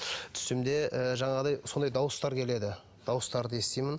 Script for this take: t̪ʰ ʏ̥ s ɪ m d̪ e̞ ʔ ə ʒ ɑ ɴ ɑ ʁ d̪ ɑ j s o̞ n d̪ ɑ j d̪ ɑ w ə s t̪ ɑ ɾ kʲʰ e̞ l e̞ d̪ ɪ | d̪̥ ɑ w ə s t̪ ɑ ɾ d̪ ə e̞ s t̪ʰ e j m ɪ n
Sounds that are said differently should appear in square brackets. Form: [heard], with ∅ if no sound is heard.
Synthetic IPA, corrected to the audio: t̪ʰ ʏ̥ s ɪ m d̪ e̞ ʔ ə ʒ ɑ ɴ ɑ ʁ d̪ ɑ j s o̞ n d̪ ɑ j d̪ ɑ w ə s t̪ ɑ ɾ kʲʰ e̞ l e̞ d̪ ɪ | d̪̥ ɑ w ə s t̪ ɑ ɾ d̪ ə e̞ s [t̪] e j m ɪ n